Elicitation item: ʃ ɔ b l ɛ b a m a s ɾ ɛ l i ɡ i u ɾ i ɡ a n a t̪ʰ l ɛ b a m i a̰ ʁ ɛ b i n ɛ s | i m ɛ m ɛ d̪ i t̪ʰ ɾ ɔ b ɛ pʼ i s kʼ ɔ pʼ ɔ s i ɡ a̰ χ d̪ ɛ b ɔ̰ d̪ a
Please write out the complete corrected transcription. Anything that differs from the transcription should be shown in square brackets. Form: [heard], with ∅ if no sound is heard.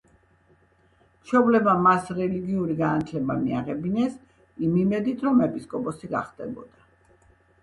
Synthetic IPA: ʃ ɔ b l ɛ b a m a s ɾ ɛ l i ɡ i u ɾ i ɡ a n a t̪ʰ l ɛ b a m i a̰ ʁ ɛ b i n ɛ s | i m [i] m ɛ d̪ i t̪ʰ ɾ ɔ [m] ɛ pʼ i s kʼ ɔ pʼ ɔ s i ɡ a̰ χ d̪ ɛ b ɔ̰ d̪ a